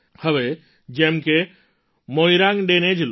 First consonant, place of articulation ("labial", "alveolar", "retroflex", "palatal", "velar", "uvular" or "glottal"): glottal